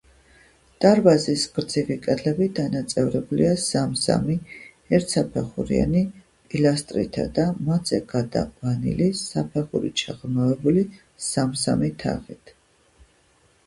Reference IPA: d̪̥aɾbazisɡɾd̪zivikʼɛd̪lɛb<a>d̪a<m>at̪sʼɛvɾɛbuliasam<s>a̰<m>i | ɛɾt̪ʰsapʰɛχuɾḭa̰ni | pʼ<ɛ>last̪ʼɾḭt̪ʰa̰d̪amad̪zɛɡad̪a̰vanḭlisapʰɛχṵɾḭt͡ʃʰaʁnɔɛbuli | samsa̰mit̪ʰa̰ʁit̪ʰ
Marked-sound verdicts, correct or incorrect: incorrect, incorrect, correct, correct, incorrect

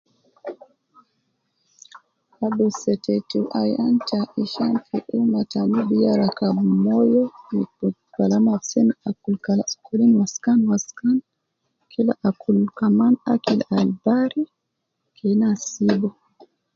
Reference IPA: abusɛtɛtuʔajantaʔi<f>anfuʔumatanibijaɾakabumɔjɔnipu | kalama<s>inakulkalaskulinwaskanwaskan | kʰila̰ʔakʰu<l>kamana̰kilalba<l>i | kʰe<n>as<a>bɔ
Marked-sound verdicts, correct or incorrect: incorrect, correct, correct, incorrect, correct, incorrect

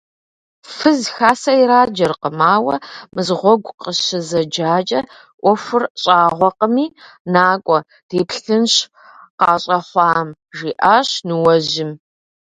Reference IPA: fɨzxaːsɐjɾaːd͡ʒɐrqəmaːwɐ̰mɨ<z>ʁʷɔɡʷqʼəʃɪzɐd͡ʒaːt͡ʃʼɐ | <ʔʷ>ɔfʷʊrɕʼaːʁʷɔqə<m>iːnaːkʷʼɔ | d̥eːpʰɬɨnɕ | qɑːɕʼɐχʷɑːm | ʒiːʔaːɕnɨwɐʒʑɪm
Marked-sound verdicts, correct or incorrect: correct, correct, correct

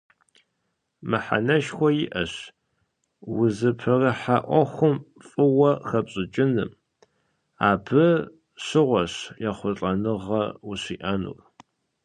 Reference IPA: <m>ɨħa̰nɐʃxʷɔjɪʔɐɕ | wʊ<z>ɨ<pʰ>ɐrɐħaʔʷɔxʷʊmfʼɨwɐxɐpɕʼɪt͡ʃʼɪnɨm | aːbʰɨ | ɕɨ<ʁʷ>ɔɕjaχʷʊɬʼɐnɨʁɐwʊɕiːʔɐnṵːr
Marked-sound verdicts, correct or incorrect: correct, correct, correct, correct

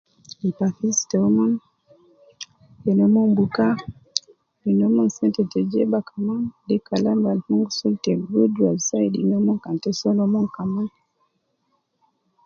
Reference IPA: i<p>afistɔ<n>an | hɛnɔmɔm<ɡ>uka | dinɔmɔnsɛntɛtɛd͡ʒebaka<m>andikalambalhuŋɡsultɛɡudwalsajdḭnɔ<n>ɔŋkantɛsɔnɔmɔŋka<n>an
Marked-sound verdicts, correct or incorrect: correct, incorrect, incorrect, correct, incorrect, incorrect

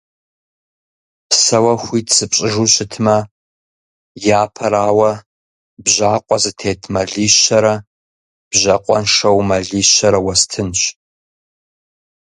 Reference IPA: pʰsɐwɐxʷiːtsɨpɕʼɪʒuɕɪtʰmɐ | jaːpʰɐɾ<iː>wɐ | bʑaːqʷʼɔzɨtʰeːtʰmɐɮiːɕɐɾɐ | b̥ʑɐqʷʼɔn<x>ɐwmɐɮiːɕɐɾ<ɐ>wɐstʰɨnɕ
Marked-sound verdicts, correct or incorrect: incorrect, incorrect, correct

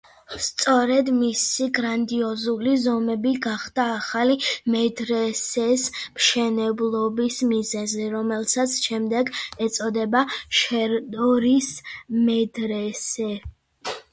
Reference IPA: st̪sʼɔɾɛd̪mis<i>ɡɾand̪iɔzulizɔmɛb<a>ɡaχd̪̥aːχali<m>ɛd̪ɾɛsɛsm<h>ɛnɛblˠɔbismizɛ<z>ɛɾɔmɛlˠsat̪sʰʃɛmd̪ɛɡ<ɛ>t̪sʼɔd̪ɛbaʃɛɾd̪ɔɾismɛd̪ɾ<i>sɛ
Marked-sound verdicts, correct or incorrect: correct, incorrect, correct, incorrect, correct, correct, incorrect

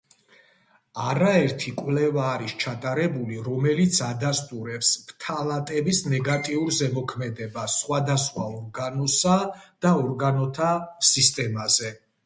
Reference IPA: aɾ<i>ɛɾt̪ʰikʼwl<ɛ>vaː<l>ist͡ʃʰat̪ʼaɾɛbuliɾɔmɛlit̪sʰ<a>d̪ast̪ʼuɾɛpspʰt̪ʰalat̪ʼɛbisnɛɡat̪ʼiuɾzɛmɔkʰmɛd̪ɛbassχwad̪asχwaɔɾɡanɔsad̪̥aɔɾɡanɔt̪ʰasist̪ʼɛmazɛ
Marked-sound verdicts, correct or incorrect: incorrect, correct, incorrect, correct

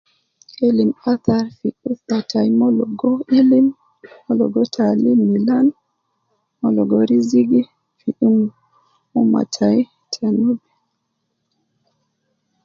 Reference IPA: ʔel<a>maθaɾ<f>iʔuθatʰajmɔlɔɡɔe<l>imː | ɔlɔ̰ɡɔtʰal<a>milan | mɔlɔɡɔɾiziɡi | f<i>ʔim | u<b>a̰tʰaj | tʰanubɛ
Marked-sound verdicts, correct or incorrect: incorrect, correct, correct, incorrect, correct, incorrect

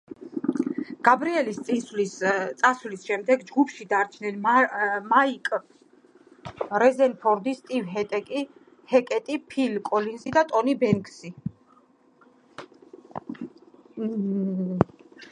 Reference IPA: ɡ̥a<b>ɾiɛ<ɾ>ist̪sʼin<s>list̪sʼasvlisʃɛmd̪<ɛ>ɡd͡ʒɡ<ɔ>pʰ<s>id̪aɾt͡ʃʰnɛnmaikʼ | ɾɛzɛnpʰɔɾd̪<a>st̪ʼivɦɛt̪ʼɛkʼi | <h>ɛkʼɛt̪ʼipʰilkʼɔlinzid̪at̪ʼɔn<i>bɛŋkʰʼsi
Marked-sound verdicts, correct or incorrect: correct, incorrect, correct, correct, incorrect, incorrect, incorrect, correct, correct

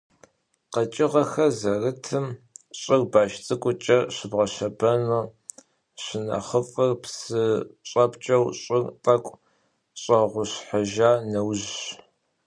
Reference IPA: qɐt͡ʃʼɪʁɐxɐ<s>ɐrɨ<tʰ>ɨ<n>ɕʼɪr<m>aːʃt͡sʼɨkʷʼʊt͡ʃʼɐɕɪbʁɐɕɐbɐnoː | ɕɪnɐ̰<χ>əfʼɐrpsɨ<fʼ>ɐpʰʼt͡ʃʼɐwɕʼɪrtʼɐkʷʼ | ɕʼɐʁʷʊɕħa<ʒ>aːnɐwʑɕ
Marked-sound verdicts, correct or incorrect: incorrect, correct, incorrect, incorrect, correct, incorrect, correct

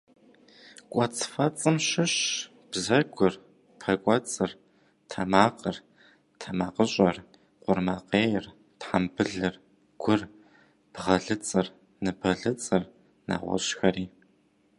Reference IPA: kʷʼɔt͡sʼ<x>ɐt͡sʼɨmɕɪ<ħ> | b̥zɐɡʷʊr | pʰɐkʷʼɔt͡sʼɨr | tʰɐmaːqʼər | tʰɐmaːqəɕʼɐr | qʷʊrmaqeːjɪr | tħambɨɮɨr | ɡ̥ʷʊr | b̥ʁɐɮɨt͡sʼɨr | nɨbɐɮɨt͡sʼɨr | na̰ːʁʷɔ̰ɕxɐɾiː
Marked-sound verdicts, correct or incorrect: incorrect, incorrect

